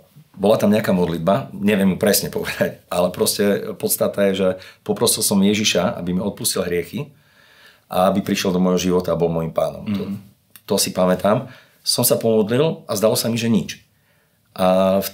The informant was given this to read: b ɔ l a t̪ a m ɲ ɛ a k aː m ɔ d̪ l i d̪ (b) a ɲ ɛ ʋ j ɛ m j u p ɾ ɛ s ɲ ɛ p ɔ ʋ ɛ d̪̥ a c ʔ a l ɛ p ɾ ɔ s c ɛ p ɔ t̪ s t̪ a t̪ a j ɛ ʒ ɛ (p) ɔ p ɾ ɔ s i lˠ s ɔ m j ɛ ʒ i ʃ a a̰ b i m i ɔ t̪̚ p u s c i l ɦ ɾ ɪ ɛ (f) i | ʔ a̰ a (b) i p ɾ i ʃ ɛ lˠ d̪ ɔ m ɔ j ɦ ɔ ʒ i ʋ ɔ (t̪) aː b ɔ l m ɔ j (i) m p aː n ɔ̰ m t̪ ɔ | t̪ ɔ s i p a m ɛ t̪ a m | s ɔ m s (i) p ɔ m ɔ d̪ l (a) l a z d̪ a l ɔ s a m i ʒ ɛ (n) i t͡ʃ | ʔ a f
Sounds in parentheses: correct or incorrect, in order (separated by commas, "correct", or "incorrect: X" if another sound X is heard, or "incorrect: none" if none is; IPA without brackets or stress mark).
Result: correct, correct, incorrect: x, correct, correct, correct, incorrect: a, incorrect: i, incorrect: ɲ